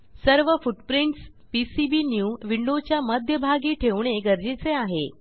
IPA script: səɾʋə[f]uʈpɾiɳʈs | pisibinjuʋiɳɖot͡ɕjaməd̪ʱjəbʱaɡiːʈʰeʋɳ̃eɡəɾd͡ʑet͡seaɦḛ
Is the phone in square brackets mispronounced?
no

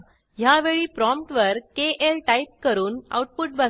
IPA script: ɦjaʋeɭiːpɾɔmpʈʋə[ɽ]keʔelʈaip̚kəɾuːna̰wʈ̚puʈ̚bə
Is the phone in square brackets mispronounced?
yes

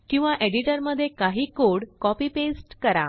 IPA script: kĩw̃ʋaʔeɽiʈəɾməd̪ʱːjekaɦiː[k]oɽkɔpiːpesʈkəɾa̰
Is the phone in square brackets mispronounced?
no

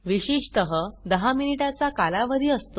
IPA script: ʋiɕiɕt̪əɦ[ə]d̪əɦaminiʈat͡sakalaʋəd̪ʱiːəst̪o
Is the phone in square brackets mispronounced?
no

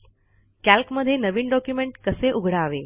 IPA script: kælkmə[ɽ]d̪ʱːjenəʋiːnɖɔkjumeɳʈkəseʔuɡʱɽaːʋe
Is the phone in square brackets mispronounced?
yes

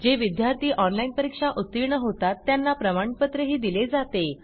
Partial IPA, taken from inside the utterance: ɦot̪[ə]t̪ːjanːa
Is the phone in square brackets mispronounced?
yes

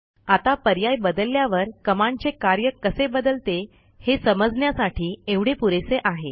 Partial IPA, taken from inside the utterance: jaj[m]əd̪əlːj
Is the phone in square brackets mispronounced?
yes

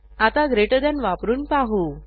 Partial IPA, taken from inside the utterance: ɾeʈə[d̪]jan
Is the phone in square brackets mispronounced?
no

